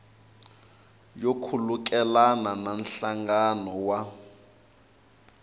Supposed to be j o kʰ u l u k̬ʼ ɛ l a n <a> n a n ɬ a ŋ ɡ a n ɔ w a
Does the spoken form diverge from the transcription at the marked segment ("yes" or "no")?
no